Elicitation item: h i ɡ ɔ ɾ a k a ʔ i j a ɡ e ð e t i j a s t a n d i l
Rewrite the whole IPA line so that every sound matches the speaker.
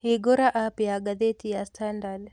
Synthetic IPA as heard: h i ɡ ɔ ɾ a ʔ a p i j a ɡ a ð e t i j a s t a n d a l